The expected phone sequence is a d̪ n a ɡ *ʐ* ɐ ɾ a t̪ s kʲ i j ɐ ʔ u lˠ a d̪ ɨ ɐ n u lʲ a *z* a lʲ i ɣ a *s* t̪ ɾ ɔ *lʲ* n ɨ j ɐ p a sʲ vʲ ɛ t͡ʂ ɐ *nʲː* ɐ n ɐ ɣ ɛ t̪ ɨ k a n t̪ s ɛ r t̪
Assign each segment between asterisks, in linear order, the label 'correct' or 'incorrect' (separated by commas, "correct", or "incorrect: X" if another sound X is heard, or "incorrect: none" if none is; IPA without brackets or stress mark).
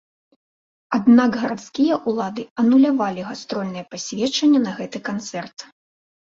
incorrect: ɣ, incorrect: v, correct, correct, correct